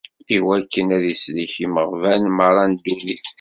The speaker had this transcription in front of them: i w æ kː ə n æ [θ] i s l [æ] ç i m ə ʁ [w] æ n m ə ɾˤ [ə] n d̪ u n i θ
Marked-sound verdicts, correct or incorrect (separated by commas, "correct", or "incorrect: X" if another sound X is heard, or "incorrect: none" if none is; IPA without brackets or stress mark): incorrect: ð, incorrect: i, incorrect: v, incorrect: ɑ